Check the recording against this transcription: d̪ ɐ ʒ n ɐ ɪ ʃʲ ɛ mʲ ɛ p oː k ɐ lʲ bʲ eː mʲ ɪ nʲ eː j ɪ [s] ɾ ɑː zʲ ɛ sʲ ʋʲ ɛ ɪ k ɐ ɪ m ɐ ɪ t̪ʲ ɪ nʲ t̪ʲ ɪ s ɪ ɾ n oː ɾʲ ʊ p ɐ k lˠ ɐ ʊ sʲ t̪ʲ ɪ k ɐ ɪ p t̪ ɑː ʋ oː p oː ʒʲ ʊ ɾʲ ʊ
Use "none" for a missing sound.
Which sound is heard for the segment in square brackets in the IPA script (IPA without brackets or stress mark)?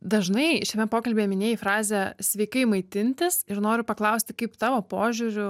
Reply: f